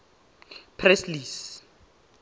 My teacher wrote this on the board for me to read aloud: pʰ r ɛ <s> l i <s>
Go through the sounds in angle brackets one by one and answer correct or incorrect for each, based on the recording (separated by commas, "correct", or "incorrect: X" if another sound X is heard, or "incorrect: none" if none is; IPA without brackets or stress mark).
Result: correct, correct